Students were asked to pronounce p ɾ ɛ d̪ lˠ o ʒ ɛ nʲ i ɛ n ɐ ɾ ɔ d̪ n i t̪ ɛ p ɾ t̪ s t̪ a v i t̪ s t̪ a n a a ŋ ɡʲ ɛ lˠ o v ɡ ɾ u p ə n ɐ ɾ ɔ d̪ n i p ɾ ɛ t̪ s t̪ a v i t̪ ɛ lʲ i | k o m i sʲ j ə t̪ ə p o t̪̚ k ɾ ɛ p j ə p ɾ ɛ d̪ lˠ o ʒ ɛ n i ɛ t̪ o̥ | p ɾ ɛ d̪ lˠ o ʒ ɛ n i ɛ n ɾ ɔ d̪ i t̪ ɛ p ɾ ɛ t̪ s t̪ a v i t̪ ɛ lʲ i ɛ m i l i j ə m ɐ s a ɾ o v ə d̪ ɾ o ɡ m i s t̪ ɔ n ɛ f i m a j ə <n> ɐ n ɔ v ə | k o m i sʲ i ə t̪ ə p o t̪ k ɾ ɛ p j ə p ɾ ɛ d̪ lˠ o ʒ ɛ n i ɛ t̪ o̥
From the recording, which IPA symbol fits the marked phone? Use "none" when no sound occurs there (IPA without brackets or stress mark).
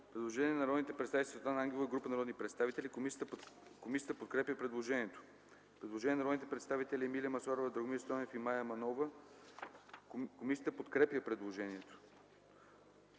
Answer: m